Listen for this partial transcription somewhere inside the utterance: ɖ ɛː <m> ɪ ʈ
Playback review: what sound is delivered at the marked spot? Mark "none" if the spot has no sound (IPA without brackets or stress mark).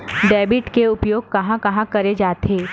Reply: b